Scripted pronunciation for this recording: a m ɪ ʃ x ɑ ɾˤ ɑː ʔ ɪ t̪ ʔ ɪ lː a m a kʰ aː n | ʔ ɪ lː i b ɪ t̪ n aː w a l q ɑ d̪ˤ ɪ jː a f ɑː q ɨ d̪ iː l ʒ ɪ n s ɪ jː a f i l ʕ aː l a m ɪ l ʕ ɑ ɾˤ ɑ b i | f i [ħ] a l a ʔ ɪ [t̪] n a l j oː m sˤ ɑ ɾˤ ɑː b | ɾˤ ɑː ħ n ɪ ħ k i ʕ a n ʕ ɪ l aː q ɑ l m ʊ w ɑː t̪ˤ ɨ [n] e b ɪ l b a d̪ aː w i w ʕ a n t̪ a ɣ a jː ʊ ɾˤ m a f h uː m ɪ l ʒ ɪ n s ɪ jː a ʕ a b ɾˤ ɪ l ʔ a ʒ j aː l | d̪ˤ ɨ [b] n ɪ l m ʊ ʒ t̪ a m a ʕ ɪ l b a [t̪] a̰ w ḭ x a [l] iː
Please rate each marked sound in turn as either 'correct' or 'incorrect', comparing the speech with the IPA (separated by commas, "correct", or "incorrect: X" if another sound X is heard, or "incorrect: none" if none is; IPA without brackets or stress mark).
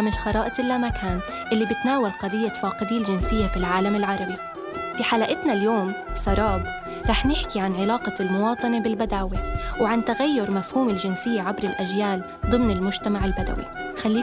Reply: correct, correct, correct, incorrect: m, incorrect: d̪, incorrect: lː